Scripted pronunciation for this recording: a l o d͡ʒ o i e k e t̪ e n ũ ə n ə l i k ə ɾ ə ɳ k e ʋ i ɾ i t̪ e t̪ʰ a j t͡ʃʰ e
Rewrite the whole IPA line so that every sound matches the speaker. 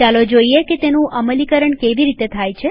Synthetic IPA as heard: a l o d͡ʒ o i e k e t̪ e n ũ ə m ə l i k ə ɾ ə ɳ k e ʋ i ɾ i t̪ e t̪ʰ a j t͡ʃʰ e

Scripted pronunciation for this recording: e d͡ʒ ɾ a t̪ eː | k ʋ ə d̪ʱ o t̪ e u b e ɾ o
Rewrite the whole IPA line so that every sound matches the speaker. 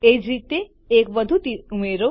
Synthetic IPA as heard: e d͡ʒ ɾ i t̪ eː | k ʋ ə d̪ʱ u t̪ i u m e ɾ o

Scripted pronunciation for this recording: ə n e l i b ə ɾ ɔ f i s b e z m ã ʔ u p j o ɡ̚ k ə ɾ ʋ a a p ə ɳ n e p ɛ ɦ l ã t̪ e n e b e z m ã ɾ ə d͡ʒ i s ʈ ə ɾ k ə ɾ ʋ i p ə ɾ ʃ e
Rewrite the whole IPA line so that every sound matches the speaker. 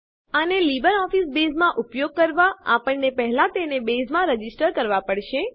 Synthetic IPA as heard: ə n e l i b ə ɾ ɔ f i s b e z m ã ʔ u p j o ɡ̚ k ə ɾ ʋ a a p ə ɳ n e p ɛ ɦ l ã t̪ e n e b e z m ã ɾ ə d͡ʒ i s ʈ ə ɾ k ə ɾ ʋ a p ə ɽ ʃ e

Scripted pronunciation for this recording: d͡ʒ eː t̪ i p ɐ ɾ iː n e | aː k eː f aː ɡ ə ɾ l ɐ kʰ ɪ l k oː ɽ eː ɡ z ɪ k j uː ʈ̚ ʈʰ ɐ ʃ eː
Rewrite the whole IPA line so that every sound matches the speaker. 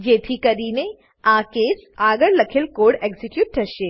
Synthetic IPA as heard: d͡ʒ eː t̪ʰ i k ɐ ɾ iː n e | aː k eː s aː ɡ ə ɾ l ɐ kʰ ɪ l k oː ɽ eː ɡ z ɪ k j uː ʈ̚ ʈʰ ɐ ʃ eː

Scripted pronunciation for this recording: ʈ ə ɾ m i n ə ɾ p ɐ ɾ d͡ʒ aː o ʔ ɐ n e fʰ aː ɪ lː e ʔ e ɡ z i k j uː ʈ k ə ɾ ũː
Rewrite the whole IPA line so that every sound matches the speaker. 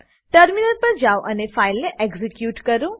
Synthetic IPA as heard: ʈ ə ɾ m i n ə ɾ p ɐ ɾ d͡ʒ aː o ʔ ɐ n e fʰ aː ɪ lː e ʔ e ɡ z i k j uː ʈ k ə ɾ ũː

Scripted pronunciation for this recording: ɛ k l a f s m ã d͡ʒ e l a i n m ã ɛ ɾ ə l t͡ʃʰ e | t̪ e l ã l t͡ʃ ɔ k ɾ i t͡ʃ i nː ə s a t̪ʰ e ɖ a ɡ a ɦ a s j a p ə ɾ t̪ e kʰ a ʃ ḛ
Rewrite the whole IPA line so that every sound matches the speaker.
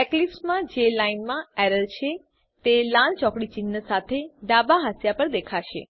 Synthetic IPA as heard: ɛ k l i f s m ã d͡ʒ e l a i n m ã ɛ ɾ ə l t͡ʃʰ e | t̪ e l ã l t͡ʃ ɔ k ɽ i t͡ʃ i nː ə s a t̪ʰ e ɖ a b a ɦ a s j a p ə ɾ d̪ e kʰ a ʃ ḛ

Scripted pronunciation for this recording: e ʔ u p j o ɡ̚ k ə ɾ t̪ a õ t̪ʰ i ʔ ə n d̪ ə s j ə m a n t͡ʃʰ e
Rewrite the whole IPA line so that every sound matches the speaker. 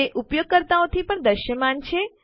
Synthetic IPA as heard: e ʔ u p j o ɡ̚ k ə ɾ t̪ a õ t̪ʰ i p ə ɳ d̪ ə ʃ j ə m a n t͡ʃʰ e

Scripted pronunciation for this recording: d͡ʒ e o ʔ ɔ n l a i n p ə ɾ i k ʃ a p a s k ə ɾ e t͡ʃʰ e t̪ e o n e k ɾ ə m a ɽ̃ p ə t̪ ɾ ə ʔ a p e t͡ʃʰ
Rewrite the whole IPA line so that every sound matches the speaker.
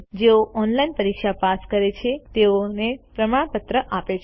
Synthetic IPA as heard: d͡ʒ e o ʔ ɔ n l a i n p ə ɾ i k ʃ a p a s k ə ɾ e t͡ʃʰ e t̪ e o n e p ɾ ə m a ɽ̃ p ə t̪ ɾ ə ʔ a p e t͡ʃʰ

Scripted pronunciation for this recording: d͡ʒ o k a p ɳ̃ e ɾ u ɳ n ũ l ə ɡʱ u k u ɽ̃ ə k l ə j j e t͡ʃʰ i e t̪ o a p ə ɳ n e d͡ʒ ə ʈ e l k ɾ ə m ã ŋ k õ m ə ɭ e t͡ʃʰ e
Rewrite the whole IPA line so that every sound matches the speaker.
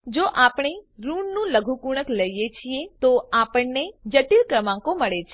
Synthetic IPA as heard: d͡ʒ o ʔ a p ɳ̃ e ɾ u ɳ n ũ l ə ɡʱ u k u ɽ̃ ə k l ə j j e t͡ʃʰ i e t̪ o a p ə ɳ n e d͡ʒ ə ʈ i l k ɾ ə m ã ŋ k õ m ə ɭ e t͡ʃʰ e

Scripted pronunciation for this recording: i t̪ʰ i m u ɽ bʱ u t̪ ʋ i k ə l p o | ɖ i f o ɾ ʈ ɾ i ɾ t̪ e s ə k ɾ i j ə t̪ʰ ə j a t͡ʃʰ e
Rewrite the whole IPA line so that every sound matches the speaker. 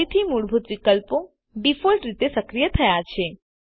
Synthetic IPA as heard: i t̪ʰ i m u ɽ bʱ u t̪ ʋ i k ə l p o | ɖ i f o l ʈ ɾ i t̪ e s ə k ɾ i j ə t̪ʰ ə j a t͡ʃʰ e

